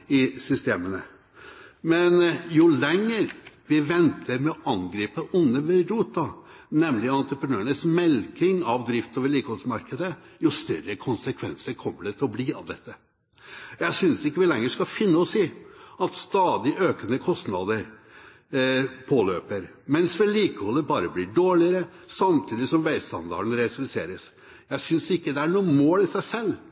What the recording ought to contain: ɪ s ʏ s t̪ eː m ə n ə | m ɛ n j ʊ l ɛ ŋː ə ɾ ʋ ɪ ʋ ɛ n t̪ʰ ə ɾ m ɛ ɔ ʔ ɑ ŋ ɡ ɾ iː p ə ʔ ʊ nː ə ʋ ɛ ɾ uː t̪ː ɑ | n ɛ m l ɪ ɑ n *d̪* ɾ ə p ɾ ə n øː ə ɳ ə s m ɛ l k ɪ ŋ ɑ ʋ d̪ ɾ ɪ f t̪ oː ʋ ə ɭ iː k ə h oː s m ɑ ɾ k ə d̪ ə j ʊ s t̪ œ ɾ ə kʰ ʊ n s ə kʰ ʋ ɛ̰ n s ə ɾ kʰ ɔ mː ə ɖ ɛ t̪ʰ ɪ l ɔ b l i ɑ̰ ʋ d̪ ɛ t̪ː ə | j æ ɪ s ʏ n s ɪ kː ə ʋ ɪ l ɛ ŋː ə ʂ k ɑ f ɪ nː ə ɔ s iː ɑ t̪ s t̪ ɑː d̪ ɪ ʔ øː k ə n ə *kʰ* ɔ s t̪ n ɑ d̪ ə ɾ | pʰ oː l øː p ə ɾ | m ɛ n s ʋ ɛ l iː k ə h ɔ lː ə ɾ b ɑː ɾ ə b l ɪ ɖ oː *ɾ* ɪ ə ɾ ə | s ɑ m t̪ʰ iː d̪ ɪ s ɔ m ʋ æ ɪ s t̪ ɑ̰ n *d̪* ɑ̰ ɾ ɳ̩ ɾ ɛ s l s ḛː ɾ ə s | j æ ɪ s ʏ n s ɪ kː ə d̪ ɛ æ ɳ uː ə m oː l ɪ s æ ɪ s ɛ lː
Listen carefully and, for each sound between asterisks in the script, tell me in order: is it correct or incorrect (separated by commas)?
incorrect, correct, incorrect, correct